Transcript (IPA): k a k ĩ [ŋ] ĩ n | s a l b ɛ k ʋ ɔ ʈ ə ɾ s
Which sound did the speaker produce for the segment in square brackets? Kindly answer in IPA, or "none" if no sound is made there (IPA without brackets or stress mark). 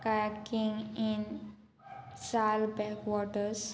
ŋ